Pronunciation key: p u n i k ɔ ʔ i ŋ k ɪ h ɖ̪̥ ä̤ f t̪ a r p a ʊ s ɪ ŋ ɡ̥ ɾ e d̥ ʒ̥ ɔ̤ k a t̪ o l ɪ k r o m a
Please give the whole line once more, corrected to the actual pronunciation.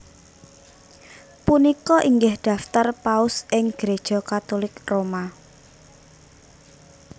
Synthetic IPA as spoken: p u n i k ɔ ʔ i ŋ ɡ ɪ h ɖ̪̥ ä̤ f t̪ a r p a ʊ s ɪ ŋ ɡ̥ ɾ e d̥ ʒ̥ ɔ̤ k a t̪ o l ɪ k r o m a

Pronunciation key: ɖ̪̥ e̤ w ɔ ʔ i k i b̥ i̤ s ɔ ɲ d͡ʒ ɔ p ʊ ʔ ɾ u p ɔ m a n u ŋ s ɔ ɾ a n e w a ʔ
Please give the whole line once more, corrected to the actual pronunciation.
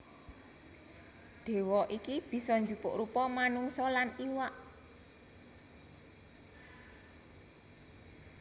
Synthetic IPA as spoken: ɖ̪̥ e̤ w ɔ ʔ i k i b̥ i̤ s ɔ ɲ d͡ʒ u p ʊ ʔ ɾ u p ɔ m a n u ŋ s ɔ l a n i w a ʔ

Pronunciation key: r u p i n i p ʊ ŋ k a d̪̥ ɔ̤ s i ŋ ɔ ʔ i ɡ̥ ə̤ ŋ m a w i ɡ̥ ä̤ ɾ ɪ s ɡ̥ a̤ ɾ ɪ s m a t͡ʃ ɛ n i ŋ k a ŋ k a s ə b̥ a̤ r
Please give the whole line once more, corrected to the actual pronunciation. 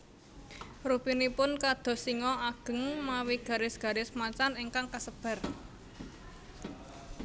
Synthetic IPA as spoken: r u p i n i p ʊ n k a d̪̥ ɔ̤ s i ŋ ɔ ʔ a ɡ̥ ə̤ ŋ m a w i ɡ̥ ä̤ ɾ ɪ s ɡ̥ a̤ ɾ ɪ s m a t͡ʃ a n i ŋ k a ŋ k a s ə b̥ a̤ r

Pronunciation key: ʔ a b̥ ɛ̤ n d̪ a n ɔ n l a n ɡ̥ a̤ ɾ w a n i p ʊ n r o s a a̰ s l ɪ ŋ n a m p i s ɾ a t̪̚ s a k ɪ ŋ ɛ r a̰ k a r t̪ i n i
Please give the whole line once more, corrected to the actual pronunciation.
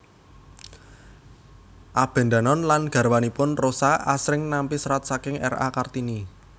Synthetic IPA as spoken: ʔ a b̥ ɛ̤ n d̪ a n ɔ n l a n ɡ̥ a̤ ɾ w a n i p ʊ n r o s a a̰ s ɾ ɪ ŋ n a m p i s ɾ a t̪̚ s a k ɪ ŋ ɛ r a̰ k a r t̪ i n i

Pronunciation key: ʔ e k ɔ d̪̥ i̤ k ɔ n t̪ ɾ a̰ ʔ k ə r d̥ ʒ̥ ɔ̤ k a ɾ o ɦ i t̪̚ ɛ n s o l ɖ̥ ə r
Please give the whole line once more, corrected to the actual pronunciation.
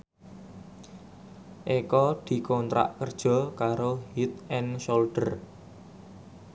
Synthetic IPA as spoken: ʔ e k ɔ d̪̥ i̤ k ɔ n t̪ ɾ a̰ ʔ k ə r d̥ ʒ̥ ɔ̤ k a ɾ o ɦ i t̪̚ ɛ n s o l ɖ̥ ə r

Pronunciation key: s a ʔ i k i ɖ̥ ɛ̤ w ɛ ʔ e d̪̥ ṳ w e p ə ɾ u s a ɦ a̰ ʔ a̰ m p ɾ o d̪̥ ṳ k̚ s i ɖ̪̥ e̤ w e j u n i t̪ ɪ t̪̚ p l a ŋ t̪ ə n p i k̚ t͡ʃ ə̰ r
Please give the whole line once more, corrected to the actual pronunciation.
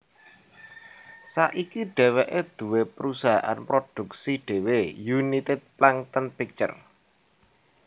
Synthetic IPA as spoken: s a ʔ i k i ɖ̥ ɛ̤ w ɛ ʔ e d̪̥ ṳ w e p ə ɾ u s a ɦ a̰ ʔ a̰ n p ɾ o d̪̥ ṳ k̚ s i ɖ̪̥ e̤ w e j u n i t̪ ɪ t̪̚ p l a ŋ t̪ ə n p i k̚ t͡ʃ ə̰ r

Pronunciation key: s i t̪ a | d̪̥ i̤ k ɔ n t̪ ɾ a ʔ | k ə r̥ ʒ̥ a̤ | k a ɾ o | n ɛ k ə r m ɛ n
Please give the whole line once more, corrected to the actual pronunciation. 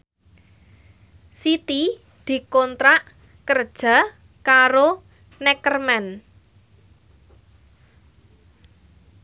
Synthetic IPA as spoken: s i t̪ i | d̪̥ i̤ k ɔ n t̪ ɾ a ʔ | k ə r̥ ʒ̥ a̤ | k a ɾ o | n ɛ k ə r m ɛ n

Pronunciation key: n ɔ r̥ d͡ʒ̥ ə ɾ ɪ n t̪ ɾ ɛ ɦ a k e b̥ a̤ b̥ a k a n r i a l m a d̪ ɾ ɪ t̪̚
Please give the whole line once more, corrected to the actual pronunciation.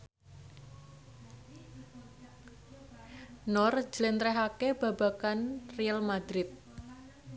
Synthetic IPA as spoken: n ɔ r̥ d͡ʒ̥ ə l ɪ n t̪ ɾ ɛ ɦ a k e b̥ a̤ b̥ a k a n r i a l m a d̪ ɾ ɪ t̪̚

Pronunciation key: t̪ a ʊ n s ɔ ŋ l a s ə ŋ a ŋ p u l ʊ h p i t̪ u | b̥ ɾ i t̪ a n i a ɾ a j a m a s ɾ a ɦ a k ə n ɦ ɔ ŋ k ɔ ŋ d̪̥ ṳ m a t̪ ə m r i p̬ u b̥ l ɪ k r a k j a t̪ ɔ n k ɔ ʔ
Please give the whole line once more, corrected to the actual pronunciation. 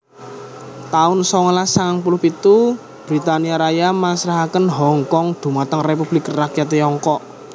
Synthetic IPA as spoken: t̪ a ʊ n s ɔ ŋ l a s a ŋ a ŋ p u l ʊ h p i t̪ u | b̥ ɾ i t̪ a n i a ɾ a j a m a s ɾ a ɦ a k ə n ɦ ɔ ŋ k ɔ ŋ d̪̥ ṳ m a t̪ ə ŋ r e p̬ u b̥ l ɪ k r a k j a t̪ ɔ ŋ k ɔ ʔ

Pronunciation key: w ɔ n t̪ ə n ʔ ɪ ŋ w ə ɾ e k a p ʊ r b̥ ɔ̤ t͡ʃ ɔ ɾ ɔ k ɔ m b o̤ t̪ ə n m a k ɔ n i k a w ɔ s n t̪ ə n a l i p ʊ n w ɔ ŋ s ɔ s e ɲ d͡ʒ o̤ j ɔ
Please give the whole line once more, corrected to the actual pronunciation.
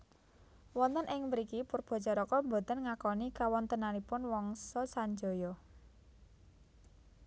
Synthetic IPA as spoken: w ɔ n t̪ ə n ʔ ɪ ŋ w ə ɾ i k i p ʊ r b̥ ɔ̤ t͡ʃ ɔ ɾ ɔ k ɔ m b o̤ t̪ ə n ŋ a k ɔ n i k a w ɔ n t̪ ə n a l i p ʊ n w ɔ ŋ s ɔ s a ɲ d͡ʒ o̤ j ɔ

